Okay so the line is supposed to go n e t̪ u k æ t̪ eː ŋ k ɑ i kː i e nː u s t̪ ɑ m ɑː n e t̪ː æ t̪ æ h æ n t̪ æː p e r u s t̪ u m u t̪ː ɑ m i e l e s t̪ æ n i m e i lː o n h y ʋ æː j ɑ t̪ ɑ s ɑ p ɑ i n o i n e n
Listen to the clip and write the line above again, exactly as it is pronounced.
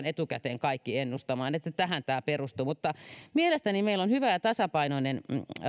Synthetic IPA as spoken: n e t̪ u k æ t̪ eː ŋ k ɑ i kː i e nː u s t̪ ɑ m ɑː n e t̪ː æ t̪ æ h æ n t̪ æː p e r u s t̪ u m u t̪ː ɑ m i e l e s t̪ æ n i m e i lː o n h y ʋ æ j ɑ t̪ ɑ s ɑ p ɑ i n o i n e n